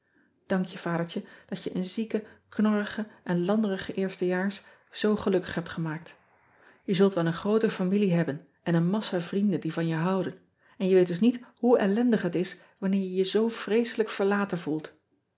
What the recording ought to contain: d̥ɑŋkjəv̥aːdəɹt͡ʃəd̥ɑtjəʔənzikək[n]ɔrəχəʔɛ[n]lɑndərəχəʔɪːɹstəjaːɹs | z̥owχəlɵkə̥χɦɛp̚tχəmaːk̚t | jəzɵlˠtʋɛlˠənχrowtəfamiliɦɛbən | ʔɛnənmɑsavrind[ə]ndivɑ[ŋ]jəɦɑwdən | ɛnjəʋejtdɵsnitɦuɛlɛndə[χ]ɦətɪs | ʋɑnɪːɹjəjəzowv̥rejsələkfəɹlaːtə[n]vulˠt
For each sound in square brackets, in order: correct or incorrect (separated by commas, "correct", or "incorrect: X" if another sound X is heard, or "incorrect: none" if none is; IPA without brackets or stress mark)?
correct, correct, correct, incorrect: n, correct, correct